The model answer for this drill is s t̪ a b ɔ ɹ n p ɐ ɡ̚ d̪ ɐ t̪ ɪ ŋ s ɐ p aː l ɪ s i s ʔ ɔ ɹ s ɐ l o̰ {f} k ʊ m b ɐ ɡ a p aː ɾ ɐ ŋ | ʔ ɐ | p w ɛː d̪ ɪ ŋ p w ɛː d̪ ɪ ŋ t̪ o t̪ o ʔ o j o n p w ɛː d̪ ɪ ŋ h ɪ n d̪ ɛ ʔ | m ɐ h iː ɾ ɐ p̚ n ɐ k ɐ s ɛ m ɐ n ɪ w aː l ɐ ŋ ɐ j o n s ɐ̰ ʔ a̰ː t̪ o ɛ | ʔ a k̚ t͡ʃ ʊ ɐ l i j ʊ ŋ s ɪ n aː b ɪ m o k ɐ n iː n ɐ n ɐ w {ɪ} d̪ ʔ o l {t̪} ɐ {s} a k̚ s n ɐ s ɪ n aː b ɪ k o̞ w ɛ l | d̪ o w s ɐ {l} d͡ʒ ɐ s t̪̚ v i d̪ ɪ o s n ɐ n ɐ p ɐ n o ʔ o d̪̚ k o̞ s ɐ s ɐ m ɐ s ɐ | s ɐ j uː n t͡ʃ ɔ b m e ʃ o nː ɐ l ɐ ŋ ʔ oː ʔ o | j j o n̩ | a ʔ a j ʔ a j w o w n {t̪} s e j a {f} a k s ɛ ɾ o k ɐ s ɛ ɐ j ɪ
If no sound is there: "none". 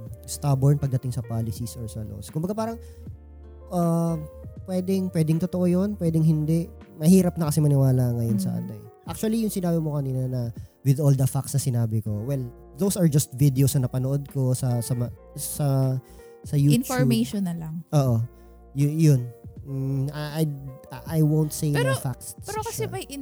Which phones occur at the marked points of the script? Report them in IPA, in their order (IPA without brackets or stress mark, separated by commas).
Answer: s, ɪ, d̪, f, ɹ, t̪, f